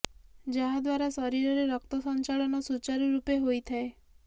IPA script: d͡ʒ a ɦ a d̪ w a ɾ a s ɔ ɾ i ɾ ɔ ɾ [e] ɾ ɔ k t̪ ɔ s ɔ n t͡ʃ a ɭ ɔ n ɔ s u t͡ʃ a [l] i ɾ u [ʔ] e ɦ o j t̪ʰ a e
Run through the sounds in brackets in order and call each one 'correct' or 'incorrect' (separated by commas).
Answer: correct, incorrect, incorrect